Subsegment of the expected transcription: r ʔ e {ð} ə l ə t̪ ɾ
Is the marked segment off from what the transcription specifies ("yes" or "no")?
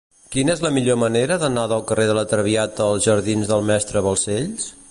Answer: no